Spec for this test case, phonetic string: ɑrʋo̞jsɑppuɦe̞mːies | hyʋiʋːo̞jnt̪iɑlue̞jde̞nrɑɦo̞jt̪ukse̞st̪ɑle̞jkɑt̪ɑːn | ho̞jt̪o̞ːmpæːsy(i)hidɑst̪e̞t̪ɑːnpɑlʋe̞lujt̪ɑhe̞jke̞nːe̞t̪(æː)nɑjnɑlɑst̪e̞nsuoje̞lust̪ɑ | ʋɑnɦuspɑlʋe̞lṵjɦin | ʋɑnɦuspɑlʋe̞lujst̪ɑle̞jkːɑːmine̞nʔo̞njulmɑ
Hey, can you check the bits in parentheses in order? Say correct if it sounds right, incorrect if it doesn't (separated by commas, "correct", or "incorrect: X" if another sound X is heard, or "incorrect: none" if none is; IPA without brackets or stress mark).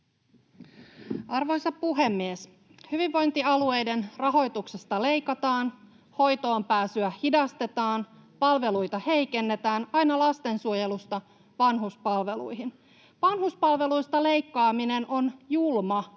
incorrect: æ, correct